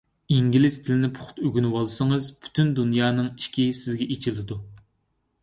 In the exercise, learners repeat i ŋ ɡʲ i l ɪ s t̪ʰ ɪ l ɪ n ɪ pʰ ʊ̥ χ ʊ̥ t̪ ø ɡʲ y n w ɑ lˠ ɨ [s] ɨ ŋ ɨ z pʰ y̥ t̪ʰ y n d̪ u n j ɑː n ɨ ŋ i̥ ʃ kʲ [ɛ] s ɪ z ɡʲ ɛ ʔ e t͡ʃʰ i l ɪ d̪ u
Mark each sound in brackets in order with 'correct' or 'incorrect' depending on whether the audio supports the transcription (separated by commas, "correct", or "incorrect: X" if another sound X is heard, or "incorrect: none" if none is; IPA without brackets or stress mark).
correct, incorrect: i